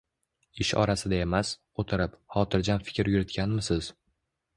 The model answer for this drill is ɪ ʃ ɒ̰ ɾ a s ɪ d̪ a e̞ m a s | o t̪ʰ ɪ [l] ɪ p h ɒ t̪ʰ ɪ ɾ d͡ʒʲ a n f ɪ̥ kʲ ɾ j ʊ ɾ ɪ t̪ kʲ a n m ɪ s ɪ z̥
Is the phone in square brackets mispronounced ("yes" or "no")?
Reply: yes